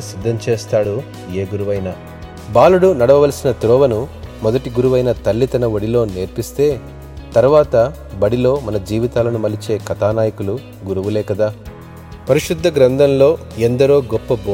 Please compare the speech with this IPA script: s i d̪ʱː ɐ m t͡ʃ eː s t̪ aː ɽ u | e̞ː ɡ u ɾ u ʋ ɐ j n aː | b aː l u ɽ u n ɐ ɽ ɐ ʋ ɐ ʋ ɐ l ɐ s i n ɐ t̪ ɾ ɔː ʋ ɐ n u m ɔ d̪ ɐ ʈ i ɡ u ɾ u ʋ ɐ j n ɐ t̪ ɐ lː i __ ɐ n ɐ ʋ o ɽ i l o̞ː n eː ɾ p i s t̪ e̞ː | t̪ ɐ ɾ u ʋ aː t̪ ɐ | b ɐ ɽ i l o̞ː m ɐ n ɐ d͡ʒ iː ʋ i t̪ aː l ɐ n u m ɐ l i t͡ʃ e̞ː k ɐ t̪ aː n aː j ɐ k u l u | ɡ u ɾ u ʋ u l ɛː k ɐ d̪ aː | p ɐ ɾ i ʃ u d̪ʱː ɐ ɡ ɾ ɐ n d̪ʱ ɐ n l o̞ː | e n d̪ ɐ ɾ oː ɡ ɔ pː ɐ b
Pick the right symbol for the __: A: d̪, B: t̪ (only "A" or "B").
B